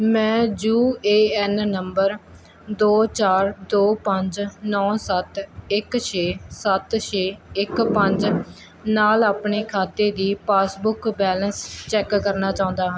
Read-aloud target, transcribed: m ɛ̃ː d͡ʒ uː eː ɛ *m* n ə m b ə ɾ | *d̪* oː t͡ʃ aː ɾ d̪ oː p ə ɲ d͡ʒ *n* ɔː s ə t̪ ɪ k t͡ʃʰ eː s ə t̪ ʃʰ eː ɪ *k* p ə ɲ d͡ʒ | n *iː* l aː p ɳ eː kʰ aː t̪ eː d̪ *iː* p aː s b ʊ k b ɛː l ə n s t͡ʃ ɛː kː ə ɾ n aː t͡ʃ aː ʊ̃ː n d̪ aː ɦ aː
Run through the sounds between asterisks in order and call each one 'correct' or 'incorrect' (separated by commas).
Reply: incorrect, correct, correct, correct, incorrect, correct